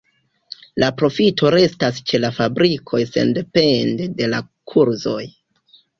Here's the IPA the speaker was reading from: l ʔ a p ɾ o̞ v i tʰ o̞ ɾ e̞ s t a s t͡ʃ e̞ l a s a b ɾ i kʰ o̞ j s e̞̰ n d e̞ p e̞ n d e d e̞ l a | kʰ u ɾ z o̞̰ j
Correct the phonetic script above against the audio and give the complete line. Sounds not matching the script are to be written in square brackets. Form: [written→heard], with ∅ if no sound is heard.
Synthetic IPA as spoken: l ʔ a p ɾ o̞ [v→f] i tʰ o̞ ɾ e̞ s t a s t͡ʃ e̞ l a [s→f] a b ɾ i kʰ o̞ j s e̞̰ n d e̞ p e̞ n d e d e̞ l a | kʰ u ɾ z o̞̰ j